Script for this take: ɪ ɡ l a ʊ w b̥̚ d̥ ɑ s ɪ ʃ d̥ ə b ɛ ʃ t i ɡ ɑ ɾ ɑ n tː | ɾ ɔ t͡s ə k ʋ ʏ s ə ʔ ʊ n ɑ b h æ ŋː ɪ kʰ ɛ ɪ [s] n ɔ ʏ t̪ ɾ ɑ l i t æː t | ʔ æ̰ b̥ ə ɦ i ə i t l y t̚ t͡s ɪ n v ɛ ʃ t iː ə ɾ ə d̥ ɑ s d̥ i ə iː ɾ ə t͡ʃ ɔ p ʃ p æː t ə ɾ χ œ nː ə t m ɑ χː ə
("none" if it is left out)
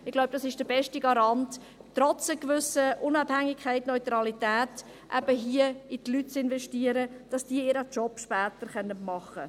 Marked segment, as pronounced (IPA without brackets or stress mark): t